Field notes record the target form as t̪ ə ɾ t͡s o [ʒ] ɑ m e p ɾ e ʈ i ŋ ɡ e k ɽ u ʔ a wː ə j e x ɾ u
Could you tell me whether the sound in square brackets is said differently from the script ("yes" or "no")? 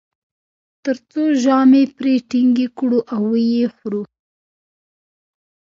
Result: no